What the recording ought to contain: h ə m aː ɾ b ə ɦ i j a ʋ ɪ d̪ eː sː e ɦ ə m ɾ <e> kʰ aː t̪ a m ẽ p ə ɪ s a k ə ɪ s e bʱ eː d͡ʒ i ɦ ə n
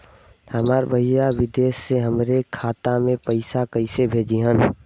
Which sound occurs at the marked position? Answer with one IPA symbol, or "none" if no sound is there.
e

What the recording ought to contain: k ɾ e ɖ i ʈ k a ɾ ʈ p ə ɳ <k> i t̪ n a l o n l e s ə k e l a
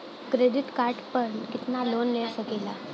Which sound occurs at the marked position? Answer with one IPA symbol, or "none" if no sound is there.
k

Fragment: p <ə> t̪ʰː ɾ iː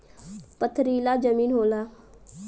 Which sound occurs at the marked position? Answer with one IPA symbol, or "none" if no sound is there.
ə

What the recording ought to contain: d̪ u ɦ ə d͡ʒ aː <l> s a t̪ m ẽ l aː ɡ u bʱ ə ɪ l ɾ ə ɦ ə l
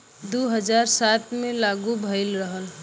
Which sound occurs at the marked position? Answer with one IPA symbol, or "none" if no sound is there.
ɾ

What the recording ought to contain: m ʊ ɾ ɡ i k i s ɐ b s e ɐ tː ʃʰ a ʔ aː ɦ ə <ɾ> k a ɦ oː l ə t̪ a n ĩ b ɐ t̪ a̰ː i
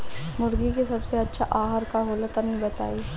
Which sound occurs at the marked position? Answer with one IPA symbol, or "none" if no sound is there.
ɾ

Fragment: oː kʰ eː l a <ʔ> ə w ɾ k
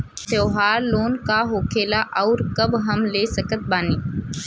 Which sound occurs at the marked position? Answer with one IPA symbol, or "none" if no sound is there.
ʔ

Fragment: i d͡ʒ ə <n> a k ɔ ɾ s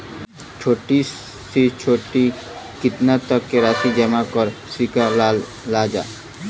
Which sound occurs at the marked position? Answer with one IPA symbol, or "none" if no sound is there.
m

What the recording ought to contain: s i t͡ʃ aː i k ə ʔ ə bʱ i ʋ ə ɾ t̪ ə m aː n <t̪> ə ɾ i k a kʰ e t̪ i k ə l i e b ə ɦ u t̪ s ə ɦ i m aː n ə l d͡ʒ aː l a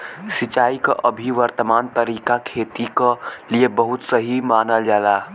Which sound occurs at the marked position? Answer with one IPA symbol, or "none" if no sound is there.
t̪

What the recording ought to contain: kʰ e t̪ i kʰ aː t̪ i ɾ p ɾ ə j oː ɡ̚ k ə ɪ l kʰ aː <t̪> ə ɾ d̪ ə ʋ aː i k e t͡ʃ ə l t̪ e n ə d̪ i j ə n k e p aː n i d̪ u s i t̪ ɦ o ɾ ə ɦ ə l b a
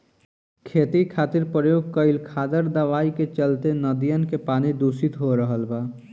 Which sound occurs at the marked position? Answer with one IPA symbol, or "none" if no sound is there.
d̪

